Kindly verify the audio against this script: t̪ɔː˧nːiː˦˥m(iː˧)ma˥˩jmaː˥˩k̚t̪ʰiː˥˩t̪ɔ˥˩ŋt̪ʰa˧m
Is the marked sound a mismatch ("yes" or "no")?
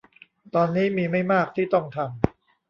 no